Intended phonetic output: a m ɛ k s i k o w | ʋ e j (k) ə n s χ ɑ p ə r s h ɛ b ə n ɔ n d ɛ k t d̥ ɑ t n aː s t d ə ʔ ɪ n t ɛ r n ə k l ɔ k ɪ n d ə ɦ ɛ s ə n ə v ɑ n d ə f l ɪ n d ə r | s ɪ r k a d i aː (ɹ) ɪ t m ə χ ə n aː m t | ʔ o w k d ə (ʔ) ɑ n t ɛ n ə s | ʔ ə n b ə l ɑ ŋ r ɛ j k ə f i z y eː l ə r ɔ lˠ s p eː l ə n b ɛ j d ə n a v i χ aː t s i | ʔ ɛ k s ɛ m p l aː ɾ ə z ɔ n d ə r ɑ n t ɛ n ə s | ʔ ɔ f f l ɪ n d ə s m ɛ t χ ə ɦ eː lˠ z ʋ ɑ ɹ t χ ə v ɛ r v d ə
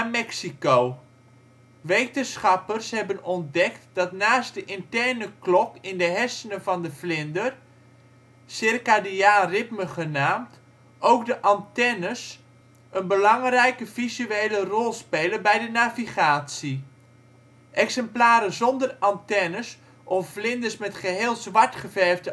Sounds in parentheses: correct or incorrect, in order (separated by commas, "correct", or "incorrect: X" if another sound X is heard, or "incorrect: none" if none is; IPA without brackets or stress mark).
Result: incorrect: t, incorrect: r, correct